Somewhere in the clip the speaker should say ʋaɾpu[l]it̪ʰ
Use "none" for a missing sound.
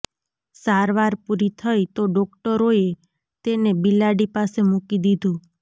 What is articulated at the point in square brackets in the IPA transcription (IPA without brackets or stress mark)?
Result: ɾ